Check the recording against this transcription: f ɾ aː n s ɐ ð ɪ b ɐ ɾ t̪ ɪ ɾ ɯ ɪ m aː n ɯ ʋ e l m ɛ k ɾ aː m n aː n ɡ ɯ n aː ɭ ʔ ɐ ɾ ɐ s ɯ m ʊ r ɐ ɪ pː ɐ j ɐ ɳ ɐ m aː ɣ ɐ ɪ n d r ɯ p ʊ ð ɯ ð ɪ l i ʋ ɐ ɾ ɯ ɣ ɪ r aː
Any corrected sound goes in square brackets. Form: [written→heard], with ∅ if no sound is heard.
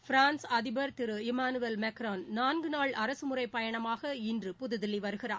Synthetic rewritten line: f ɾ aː n s ɐ ð ɪ b ɐ ɾ t̪ ɪ ɾ ɯ ɪ m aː n ɯ ʋ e l m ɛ k ɾ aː [m→n] n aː n ɡ ɯ n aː ɭ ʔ ɐ ɾ ɐ s ɯ m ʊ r ɐ ɪ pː ɐ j ɐ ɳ ɐ m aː ɣ ɐ ɪ n d r ɯ p ʊ ð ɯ ð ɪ l i ʋ ɐ ɾ ɯ ɣ ɪ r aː